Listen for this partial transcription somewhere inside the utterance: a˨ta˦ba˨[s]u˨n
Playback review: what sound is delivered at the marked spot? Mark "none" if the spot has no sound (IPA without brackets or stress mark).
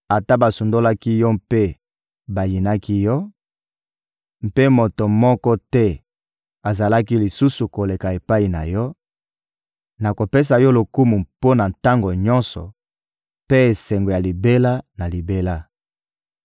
s